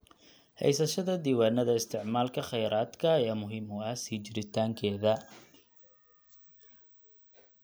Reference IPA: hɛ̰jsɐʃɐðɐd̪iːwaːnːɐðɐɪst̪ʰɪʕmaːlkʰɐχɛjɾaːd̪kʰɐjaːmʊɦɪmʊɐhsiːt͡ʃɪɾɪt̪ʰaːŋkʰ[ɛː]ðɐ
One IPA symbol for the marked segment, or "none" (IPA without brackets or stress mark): ɛː